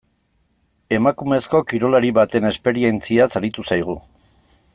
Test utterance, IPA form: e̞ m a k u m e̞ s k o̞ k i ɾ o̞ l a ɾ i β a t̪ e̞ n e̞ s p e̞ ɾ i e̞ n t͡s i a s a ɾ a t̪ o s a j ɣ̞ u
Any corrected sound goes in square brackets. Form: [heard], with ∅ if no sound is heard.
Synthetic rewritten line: e̞ m a k u m e̞ s k o̞ k i ɾ o̞ l a ɾ i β a t̪ e̞ n e̞ s p e̞ ɾ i e̞ n t͡s i a s a ɾ [i] t̪ [u] s a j ɣ̞ u